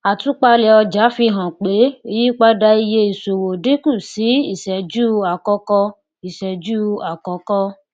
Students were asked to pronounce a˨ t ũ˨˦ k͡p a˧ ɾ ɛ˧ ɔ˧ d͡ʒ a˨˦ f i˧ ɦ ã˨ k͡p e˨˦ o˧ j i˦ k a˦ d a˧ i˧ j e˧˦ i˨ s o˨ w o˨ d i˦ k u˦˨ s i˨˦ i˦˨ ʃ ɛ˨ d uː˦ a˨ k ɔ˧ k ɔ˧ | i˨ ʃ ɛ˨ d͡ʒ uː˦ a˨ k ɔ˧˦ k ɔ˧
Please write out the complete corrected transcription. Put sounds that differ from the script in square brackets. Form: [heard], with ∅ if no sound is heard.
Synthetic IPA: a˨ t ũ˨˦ k͡p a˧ [l] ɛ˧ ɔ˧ d͡ʒ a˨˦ f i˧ ɦ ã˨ k͡p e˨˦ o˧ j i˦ [k͡p] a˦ d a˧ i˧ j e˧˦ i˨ s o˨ w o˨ d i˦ k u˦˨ s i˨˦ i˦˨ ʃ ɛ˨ [d͡ʒ] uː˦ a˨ k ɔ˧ k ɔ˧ | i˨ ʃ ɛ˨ d͡ʒ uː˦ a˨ k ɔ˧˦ k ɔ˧